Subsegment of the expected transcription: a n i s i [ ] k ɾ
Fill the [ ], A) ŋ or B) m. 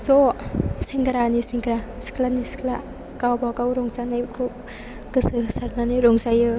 A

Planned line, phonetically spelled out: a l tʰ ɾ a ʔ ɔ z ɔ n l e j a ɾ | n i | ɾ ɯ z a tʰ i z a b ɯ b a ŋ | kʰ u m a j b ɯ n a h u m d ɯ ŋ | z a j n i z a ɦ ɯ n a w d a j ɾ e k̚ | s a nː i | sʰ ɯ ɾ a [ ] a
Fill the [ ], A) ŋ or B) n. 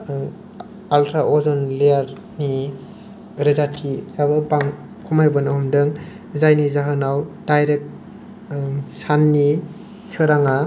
A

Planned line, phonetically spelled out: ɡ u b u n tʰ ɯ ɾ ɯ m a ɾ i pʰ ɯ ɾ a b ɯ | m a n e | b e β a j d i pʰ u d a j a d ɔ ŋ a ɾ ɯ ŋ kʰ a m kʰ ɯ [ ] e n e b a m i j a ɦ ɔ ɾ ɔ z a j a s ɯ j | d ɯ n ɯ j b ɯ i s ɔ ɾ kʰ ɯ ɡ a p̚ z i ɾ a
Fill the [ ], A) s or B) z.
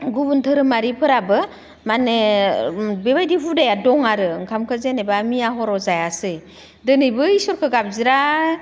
B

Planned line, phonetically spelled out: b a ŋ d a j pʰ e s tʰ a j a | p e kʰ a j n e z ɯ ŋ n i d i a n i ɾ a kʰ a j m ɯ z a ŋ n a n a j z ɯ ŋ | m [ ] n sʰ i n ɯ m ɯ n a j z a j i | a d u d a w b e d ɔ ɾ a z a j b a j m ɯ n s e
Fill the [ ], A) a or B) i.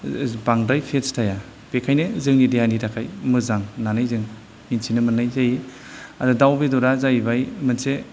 B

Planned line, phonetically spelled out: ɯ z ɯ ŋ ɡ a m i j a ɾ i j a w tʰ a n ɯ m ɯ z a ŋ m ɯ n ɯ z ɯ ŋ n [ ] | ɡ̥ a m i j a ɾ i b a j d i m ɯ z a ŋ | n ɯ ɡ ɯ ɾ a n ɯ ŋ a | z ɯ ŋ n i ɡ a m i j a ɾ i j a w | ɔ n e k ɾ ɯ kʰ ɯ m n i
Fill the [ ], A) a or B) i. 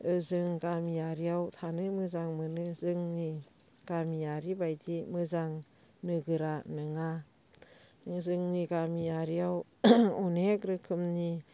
B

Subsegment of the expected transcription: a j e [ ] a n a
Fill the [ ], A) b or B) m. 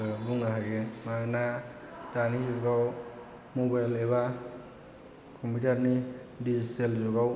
B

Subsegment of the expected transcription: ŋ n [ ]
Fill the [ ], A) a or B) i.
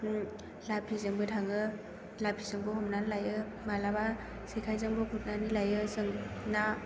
A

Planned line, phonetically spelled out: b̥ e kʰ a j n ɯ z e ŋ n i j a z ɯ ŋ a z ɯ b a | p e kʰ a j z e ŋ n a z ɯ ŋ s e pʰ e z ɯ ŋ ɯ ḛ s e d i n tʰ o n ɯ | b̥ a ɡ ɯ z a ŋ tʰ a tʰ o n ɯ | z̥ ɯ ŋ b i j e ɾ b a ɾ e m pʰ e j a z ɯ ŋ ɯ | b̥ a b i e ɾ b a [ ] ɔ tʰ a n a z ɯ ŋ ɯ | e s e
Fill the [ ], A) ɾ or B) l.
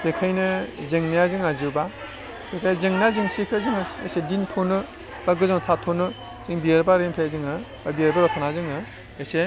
A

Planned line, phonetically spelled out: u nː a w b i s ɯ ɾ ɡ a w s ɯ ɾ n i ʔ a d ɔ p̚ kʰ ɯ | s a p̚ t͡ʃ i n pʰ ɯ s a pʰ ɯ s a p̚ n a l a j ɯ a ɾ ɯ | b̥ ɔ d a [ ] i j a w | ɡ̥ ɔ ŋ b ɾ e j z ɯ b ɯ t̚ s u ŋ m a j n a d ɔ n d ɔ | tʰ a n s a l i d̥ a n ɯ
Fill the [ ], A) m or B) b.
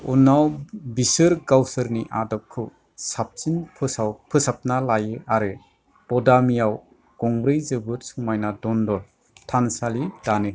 A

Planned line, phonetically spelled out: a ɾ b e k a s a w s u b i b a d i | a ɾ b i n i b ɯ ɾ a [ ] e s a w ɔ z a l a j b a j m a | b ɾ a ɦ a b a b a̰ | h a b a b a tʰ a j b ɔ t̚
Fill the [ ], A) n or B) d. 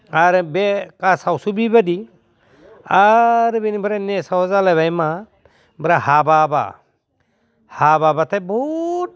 A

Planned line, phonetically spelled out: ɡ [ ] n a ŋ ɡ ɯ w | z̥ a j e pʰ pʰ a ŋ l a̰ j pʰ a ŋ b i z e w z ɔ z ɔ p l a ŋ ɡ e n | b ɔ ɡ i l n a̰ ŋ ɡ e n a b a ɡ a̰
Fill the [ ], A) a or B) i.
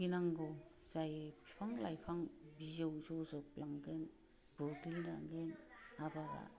B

